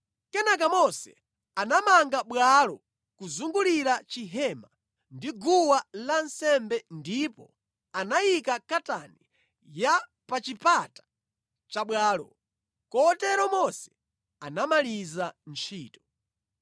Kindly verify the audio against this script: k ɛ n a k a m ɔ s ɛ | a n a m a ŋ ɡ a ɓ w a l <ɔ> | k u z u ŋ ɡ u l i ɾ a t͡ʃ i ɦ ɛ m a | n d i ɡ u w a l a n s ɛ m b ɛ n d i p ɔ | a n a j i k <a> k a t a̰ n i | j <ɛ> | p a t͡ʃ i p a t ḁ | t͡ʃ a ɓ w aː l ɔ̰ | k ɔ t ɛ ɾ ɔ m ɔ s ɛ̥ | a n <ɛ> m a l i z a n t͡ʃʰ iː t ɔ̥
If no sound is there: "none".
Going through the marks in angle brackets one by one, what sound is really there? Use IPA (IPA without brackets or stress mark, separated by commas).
ɔ, a, a, a